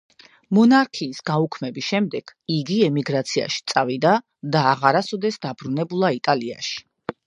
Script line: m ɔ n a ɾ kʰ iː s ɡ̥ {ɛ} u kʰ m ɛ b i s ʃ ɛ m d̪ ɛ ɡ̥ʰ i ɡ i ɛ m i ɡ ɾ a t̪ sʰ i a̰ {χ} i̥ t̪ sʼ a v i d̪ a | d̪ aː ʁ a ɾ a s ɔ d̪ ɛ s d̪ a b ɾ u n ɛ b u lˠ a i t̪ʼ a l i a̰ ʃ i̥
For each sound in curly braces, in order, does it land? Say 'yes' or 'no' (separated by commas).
no, no